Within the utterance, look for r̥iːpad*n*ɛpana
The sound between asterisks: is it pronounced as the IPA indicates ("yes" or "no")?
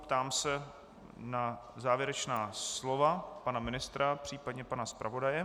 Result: no